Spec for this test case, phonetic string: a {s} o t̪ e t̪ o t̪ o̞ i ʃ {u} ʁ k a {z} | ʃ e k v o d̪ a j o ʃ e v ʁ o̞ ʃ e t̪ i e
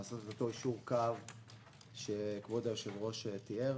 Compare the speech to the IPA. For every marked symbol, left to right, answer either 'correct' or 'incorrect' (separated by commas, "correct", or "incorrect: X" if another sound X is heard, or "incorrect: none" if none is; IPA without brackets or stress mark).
correct, correct, incorrect: v